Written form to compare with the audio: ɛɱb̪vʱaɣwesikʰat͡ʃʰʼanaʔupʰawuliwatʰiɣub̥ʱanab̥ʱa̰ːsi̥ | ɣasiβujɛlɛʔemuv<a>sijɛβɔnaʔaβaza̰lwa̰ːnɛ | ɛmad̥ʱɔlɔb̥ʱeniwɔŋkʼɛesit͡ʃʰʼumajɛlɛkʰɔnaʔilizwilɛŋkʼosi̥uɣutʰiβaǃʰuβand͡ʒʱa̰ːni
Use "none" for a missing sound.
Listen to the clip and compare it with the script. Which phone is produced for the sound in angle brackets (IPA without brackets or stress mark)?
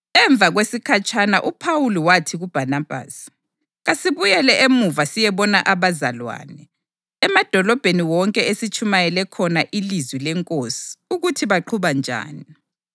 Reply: a